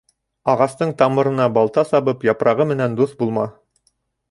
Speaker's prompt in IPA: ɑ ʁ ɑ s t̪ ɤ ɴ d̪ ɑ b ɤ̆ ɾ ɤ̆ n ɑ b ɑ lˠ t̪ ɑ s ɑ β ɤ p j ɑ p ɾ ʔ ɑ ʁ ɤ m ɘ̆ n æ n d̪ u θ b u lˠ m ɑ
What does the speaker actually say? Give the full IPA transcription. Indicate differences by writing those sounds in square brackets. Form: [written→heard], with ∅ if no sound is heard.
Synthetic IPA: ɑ ʁ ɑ s t̪ ɤ ɴ [d̪→t̪] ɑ [b→m] ɤ̆ ɾ ɤ̆ n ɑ b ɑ lˠ t̪ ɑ s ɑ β ɤ p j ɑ p ɾ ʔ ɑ ʁ ɤ m ɘ̆ n æ n d̪ u θ b u lˠ m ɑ